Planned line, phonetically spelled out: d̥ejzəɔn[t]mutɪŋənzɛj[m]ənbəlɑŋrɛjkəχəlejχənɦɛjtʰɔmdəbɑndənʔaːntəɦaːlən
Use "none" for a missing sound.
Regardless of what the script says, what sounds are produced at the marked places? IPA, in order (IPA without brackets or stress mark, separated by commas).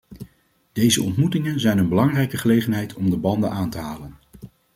t, n